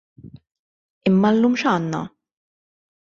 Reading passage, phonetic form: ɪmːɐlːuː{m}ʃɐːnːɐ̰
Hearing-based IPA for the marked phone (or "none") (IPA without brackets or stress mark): m